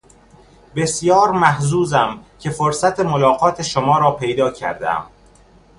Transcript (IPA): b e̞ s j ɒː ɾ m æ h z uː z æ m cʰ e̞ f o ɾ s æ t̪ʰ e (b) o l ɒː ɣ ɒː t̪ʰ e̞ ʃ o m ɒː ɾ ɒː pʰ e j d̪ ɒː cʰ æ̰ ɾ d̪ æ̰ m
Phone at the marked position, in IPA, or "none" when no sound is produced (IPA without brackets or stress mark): m